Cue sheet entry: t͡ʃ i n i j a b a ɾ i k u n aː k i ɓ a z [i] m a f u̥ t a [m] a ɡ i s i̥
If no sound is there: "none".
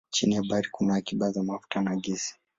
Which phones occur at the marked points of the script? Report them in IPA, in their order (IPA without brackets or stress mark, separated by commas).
a, n